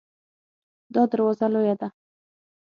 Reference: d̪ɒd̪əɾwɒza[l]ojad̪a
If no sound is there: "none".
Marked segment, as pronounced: l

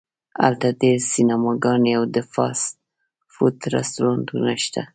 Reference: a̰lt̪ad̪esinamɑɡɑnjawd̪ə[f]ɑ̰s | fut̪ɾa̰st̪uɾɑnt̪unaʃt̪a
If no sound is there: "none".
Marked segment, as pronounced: f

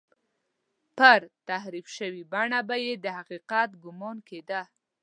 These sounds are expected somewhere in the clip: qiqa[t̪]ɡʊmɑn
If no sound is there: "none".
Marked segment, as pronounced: t̪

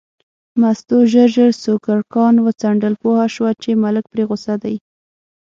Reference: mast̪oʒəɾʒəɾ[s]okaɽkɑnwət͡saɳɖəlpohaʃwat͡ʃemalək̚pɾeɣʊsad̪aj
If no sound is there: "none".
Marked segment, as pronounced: s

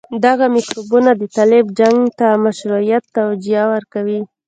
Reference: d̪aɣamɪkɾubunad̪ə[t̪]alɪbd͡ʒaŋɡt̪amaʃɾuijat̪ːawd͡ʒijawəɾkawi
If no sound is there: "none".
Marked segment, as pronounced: t̪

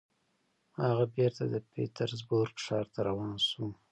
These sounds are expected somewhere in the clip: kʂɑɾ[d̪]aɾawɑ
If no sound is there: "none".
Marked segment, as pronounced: t̪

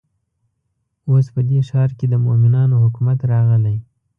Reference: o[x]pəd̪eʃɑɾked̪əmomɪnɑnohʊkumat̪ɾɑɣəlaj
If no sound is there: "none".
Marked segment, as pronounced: s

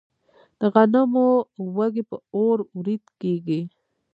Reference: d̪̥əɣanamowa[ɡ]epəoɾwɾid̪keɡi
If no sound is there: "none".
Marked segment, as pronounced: ɡ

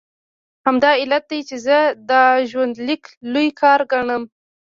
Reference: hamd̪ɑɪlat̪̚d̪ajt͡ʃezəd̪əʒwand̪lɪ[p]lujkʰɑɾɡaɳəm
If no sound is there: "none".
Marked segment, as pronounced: k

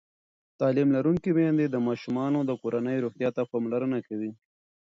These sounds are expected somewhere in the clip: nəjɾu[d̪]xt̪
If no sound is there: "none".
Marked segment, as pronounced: none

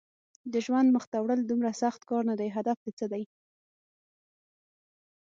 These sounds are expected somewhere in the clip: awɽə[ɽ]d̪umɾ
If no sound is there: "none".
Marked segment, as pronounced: l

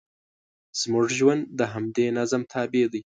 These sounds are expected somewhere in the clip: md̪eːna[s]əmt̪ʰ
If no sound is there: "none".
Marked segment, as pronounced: z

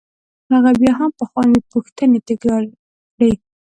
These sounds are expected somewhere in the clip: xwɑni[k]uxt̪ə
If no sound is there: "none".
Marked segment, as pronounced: p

